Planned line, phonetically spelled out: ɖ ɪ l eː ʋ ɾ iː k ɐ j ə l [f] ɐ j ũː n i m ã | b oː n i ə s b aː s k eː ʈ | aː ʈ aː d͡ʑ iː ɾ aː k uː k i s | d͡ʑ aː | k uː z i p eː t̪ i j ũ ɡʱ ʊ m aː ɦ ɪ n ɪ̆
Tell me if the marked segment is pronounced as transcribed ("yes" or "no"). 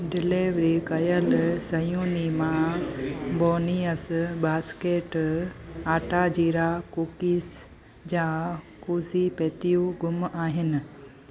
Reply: no